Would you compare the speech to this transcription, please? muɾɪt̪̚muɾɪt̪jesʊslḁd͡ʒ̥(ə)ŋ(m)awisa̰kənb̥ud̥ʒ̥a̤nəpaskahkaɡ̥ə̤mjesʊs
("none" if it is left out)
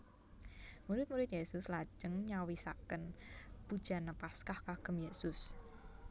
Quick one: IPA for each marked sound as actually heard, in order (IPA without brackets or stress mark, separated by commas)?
ə, ɲ